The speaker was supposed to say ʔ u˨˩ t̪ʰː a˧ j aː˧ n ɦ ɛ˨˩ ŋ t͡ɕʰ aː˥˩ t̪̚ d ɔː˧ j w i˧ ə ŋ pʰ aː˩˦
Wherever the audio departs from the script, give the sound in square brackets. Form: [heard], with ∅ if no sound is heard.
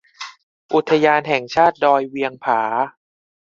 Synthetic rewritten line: ʔ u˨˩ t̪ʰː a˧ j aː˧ n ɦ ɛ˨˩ ŋ t͡ɕʰ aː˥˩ t̪̚ d ɔː˧ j w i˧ ə ŋ pʰ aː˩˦